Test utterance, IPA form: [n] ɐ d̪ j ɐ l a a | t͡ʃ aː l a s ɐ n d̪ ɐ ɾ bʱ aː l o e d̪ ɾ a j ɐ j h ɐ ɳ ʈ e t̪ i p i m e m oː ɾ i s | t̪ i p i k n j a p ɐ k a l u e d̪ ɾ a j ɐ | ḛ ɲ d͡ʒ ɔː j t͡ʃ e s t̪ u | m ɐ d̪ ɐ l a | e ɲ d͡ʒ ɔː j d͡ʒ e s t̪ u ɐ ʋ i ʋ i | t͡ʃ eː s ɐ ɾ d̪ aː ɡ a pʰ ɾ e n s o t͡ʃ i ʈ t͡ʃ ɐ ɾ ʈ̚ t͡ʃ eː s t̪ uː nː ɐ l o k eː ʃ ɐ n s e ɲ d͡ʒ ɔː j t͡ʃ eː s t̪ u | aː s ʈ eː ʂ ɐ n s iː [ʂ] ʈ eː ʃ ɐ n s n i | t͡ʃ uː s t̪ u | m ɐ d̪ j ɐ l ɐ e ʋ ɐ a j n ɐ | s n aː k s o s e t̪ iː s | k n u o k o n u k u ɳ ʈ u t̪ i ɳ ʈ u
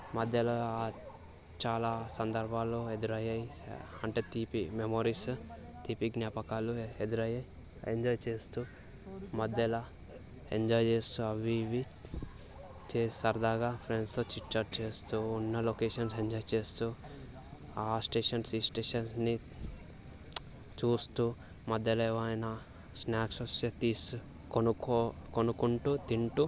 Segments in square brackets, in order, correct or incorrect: incorrect, incorrect

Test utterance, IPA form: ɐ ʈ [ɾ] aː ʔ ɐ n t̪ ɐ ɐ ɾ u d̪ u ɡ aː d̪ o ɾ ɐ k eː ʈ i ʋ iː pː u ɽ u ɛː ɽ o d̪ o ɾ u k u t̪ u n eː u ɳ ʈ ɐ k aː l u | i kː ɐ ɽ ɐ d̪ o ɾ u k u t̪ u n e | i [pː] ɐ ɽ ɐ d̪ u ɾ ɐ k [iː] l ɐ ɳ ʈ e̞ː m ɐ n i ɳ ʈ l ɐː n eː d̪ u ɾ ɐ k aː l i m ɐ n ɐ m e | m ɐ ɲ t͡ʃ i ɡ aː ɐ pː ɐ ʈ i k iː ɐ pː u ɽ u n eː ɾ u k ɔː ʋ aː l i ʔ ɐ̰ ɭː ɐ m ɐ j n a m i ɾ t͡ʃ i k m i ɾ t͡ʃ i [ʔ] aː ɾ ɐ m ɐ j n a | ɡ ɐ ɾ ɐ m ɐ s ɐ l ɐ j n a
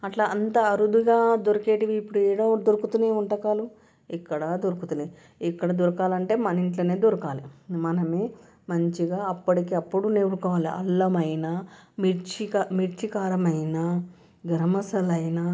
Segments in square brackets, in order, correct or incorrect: incorrect, incorrect, incorrect, incorrect

